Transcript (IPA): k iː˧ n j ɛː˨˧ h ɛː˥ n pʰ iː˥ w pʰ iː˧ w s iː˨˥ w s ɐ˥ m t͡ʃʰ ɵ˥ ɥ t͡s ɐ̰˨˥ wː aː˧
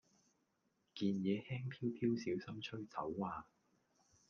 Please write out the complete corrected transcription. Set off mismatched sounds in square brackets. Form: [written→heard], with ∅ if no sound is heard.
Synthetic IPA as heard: k iː˧ n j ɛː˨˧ h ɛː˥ [n→ŋ] pʰ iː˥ w pʰ [iː˧→iː˥] w s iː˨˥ w s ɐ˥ m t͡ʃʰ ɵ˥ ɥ t͡s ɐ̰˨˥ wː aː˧